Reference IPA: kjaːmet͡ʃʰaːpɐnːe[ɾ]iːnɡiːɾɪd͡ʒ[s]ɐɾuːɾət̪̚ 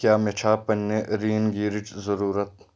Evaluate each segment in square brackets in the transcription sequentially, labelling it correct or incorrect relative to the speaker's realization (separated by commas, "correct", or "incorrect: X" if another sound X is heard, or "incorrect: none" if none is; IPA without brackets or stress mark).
correct, incorrect: z